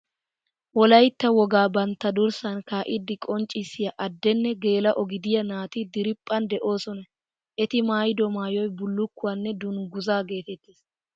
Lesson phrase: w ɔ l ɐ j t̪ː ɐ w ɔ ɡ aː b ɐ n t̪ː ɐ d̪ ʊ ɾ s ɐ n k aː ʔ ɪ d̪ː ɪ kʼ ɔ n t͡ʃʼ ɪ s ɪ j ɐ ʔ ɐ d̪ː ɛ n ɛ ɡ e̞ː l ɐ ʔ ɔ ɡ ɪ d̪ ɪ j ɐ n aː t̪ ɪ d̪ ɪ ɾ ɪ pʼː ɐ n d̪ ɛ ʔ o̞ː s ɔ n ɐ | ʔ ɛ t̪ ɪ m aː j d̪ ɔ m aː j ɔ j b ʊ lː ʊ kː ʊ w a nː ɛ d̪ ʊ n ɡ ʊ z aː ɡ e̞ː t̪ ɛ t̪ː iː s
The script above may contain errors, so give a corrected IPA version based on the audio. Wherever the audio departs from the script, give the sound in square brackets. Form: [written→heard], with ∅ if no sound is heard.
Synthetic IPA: w ɔ l ɐ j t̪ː ɐ w ɔ ɡ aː b ɐ n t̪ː ɐ d̪ ʊ ɾ s ɐ n k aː ʔ ɪ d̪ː ɪ kʼ ɔ n t͡ʃʼ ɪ s ɪ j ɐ ʔ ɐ d̪ː ɛ [n→nː] ɛ ɡ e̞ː l ɐ ʔ ɔ ɡ ɪ d̪ ɪ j ɐ n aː t̪ ɪ d̪ ɪ ɾ ɪ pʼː ɐ n d̪ ɛ ʔ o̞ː s ɔ n ɐ | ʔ ɛ t̪ ɪ m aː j d̪ ɔ m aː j ɔ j b ʊ lː ʊ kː ʊ w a nː ɛ d̪ ʊ n ɡ ʊ z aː ɡ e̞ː t̪ ɛ t̪ː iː s